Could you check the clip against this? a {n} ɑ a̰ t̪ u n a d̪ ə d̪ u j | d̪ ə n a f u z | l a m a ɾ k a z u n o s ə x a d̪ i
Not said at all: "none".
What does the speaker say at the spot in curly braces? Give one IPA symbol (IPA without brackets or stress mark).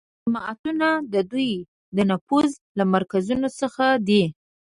m